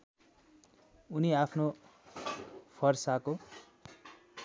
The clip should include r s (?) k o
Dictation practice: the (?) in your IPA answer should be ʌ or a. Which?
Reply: a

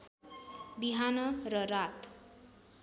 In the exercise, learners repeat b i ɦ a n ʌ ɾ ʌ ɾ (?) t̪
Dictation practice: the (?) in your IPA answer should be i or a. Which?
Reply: a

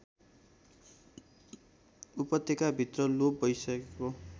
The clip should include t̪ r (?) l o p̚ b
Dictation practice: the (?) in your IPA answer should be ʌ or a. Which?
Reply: ʌ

